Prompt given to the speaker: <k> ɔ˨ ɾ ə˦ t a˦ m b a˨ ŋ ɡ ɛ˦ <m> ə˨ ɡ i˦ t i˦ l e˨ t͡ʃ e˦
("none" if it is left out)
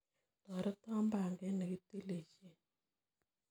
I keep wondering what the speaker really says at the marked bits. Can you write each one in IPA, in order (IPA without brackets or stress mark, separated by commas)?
t, n